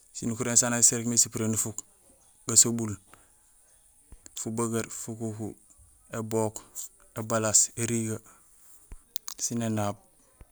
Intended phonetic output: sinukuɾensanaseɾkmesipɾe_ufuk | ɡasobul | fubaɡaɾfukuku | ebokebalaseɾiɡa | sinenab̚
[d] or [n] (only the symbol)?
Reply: n